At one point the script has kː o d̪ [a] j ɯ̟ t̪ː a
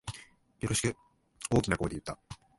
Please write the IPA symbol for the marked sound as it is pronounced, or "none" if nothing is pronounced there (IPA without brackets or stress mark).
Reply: e